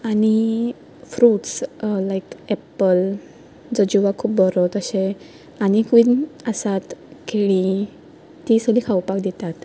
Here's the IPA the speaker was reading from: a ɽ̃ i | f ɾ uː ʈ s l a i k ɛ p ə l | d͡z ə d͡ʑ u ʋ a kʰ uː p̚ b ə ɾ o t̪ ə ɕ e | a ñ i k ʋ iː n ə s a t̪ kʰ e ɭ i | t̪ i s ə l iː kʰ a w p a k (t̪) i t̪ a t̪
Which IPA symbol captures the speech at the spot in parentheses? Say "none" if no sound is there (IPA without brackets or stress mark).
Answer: d̪